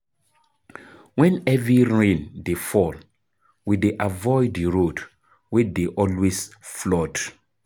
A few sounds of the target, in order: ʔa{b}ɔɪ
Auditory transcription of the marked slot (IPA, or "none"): v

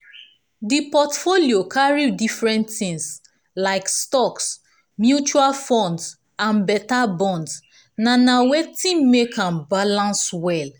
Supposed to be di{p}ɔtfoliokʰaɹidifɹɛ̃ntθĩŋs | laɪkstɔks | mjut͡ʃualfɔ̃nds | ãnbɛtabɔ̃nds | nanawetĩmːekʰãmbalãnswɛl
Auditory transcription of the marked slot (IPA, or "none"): p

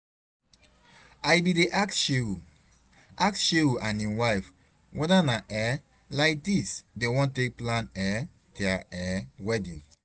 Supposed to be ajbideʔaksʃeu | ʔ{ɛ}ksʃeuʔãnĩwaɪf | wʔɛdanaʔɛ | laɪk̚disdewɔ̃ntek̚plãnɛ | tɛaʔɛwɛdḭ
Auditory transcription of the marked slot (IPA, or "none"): a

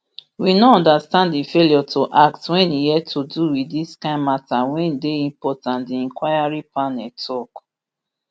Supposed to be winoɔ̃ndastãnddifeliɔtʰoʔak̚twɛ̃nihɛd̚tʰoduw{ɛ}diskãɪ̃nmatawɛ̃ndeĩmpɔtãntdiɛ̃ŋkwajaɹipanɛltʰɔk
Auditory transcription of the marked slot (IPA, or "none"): i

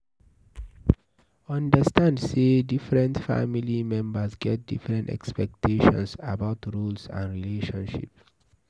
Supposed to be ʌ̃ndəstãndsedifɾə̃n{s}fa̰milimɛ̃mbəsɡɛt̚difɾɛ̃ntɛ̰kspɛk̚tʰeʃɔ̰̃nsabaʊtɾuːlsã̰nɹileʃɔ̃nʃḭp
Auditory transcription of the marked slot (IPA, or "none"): t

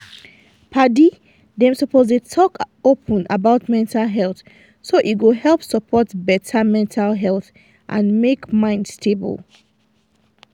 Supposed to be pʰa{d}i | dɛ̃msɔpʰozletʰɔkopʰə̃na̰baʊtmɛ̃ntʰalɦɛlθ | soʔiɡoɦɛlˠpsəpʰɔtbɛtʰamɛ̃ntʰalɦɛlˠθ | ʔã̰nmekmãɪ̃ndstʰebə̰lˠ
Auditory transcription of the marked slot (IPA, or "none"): d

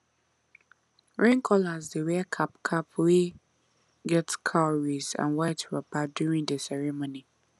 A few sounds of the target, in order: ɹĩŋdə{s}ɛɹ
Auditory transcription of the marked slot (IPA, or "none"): s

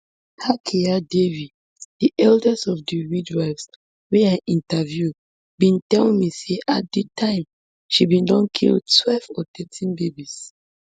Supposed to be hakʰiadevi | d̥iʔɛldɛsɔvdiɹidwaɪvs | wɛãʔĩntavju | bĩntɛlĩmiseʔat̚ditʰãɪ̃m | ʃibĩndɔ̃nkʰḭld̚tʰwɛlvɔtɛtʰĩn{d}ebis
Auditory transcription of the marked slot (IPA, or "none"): b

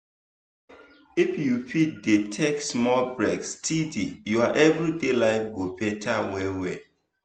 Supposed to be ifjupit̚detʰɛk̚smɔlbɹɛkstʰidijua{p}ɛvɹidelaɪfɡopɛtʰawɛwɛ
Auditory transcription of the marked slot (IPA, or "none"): ʔ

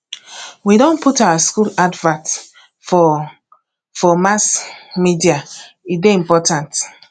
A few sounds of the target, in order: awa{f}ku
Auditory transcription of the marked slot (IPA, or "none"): s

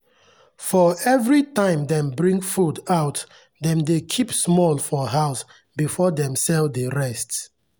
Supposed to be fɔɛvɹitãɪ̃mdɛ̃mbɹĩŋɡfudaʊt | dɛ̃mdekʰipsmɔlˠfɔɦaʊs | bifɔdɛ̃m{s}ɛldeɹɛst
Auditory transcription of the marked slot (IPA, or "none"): s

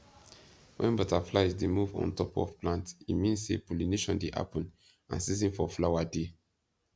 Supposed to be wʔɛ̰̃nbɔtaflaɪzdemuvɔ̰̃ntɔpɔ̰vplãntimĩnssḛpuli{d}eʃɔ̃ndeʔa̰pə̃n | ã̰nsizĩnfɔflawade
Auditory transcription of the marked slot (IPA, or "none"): n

